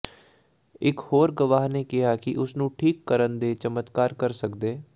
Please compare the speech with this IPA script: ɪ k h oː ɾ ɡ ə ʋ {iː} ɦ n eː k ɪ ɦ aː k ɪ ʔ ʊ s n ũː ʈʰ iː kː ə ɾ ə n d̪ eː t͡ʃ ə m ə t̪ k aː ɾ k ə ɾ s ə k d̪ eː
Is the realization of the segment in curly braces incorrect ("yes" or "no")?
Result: yes